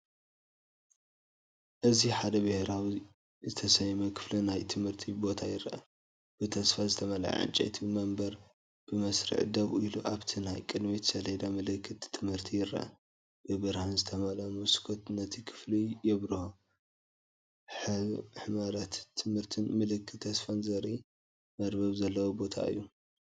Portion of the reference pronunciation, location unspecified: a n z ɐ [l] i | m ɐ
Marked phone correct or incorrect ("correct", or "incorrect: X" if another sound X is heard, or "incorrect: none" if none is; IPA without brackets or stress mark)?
incorrect: ɾ